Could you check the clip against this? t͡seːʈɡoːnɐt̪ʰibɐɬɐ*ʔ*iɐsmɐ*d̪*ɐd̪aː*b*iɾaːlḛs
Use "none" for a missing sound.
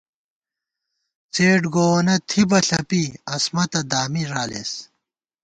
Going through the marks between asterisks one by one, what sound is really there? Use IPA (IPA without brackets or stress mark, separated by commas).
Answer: p, t̪, m